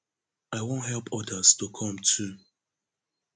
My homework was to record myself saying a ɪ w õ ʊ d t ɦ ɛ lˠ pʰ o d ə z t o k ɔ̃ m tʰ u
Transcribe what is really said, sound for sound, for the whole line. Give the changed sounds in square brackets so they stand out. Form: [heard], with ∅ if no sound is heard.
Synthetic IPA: a ɪ w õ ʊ [n] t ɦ ɛ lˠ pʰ [ɔ] d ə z t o [kʰ] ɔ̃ m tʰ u